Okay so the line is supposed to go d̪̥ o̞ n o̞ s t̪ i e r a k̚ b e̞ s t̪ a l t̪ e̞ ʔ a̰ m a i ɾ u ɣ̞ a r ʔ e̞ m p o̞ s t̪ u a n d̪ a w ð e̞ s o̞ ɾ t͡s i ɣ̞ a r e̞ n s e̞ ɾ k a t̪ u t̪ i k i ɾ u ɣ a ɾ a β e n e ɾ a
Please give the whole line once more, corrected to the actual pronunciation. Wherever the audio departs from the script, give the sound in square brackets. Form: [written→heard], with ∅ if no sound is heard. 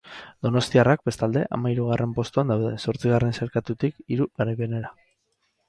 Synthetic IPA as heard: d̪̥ o̞ n o̞ s t̪ i [e→a] r a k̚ b e̞ s t̪ a l [t̪→d̪] e̞ ʔ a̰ m a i ɾ u ɣ̞ a r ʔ e̞ m p o̞ s t̪ u a n d̪ a w ð e̞ s o̞ ɾ t͡s i ɣ̞ a r e̞ n s e̞ ɾ k a t̪ u t̪ i k i ɾ u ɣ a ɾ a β e n e ɾ a